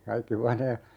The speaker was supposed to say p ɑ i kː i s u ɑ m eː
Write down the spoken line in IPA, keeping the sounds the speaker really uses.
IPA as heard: k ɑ i kː i h u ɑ n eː